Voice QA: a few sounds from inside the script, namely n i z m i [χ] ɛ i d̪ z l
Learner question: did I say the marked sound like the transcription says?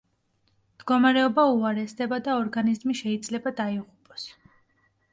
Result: no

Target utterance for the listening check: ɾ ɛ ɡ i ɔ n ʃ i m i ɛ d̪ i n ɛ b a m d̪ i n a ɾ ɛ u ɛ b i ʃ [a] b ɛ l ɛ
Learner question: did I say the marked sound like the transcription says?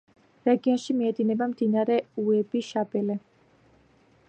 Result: yes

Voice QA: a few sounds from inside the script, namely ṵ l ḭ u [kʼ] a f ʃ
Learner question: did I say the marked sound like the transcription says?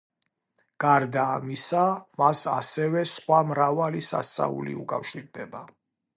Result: yes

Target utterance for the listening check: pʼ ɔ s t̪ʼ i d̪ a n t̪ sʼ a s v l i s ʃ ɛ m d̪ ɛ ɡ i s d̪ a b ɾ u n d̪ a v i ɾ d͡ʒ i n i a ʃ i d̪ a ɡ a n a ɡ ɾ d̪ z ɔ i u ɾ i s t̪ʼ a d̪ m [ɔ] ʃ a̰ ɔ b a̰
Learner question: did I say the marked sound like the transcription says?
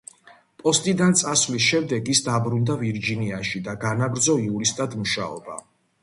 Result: no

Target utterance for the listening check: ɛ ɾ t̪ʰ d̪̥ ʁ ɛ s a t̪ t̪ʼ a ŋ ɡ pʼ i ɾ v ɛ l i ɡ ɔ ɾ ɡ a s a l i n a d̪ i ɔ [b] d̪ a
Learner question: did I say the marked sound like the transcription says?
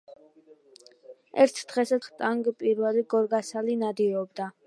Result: yes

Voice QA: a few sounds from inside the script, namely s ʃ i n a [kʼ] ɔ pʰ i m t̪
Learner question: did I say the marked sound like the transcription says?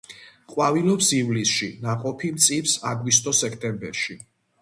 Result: no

